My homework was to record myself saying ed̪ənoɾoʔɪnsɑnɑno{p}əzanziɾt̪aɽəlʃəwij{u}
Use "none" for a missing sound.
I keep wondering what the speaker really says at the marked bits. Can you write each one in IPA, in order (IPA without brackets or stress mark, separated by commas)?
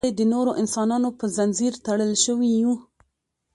p, u